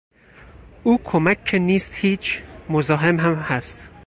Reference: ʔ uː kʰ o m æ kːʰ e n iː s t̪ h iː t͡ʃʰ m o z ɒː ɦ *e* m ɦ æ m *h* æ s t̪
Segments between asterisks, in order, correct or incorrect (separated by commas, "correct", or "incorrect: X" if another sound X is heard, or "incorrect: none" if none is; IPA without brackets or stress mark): correct, correct